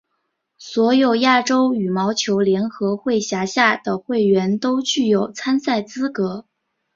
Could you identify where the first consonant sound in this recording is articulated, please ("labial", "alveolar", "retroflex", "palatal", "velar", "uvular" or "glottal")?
alveolar